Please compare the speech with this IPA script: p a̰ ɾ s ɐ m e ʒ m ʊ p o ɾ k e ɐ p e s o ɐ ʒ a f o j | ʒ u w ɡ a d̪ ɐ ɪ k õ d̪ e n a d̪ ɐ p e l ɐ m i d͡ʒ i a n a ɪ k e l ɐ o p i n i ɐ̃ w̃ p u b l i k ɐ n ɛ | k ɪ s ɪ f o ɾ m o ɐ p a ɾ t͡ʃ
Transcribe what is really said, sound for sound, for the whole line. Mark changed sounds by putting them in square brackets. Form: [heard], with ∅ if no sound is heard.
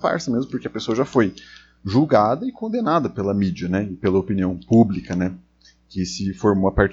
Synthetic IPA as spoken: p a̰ ɾ s ɐ m e [z] m ʊ p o ɾ k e ɐ p e s o ɐ ʒ a f o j | ʒ u w ɡ a d̪ ɐ ɪ k õ d̪ e n a d̪ ɐ p e l ɐ m i d͡ʒ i [ɐ] n [ɛ] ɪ [p] e l ɐ o p i n i ɐ̃ w̃ p u b l i k ɐ n ɛ | k ɪ s ɪ f o ɾ m o ɐ p a ɾ t͡ʃ